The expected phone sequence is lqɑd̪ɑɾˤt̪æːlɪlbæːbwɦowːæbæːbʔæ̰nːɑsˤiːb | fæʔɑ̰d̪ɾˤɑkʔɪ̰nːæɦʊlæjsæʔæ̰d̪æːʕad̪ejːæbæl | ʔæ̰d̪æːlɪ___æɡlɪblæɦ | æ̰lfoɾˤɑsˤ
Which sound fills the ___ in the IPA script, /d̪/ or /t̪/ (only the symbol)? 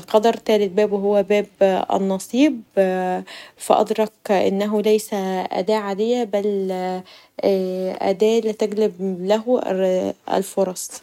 t̪